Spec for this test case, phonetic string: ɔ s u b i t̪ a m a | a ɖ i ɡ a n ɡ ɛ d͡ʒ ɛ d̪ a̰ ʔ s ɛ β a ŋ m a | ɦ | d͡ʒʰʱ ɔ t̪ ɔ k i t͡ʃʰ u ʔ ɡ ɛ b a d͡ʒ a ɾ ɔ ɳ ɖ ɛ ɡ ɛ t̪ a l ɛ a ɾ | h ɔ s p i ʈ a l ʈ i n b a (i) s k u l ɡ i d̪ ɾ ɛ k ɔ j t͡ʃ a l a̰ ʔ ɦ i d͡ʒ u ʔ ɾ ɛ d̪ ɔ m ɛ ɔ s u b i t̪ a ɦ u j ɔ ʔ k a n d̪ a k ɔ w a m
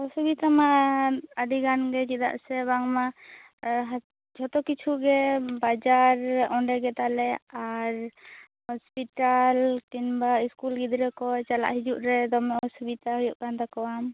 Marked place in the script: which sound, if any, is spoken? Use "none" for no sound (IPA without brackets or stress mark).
i